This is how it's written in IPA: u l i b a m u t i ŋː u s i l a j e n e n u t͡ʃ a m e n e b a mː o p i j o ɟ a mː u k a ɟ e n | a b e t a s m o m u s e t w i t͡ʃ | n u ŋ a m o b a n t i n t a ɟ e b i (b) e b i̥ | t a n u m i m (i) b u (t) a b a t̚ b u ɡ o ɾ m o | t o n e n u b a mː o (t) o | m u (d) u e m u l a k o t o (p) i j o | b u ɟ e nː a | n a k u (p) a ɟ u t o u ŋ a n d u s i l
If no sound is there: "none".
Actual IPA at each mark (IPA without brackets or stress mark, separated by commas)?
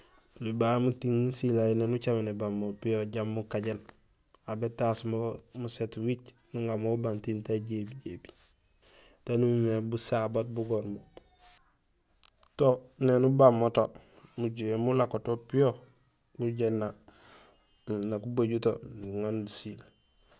ɟ, e, s, t, ɟ, p, b